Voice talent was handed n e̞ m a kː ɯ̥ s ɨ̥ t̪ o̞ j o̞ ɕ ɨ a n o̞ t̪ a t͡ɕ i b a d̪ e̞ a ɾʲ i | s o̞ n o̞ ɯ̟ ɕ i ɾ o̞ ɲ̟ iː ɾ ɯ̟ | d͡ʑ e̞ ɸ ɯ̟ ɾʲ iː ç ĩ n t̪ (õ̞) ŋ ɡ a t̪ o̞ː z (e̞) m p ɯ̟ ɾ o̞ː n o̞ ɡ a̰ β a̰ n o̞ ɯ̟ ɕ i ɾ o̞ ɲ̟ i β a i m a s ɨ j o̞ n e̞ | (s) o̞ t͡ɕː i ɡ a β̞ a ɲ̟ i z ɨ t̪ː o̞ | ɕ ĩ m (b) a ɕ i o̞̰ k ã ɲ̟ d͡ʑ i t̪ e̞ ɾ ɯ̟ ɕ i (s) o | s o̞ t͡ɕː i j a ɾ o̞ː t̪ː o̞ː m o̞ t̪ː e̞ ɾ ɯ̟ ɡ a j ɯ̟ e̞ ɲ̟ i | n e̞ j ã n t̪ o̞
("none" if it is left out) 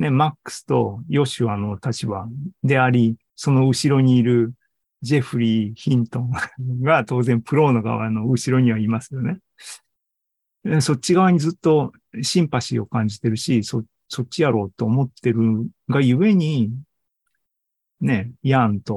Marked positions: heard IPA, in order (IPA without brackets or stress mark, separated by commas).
õ̞, ẽ̞, s, p, s